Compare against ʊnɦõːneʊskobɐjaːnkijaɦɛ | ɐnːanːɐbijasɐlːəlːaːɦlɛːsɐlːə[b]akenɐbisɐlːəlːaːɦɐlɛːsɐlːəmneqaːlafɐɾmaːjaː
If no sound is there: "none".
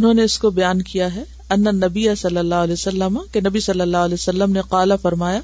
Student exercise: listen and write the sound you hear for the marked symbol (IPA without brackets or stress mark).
m